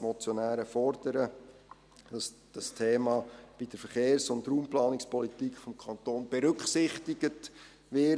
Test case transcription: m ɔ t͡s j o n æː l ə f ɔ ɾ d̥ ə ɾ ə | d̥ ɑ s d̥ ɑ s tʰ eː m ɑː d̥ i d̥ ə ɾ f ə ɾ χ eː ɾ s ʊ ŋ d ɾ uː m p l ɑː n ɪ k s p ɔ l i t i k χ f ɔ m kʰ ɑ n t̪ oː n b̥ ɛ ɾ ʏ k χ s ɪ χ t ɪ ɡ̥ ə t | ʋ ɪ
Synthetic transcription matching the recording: m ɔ t͡s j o n æː ɾ ə f ɔ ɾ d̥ ə ɾ ə | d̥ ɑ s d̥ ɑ s tʰ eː m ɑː b̥ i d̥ ə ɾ f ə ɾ χ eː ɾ s ʊ n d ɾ uː m p l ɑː n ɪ k s p ɔ l i t i k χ f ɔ m kʰ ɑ n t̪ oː n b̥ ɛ ɾ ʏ k χ s ɪ χ t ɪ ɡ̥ ə t | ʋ ɪ